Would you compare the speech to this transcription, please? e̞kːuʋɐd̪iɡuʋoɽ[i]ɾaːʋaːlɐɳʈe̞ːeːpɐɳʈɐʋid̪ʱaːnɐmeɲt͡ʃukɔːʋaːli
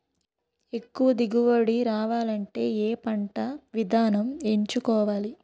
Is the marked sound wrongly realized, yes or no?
no